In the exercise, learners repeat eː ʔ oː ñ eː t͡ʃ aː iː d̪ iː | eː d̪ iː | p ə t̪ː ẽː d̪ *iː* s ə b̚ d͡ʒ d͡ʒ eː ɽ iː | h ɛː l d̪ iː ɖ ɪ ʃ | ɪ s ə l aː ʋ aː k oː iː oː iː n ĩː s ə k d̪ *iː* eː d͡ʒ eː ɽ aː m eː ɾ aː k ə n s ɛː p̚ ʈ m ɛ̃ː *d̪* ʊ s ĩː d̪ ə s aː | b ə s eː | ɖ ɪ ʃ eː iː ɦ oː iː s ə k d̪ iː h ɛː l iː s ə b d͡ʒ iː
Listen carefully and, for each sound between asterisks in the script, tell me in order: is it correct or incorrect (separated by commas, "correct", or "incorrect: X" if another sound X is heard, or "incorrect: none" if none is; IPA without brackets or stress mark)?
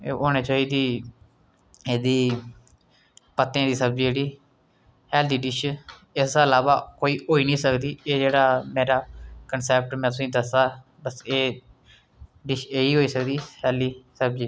correct, correct, incorrect: t̪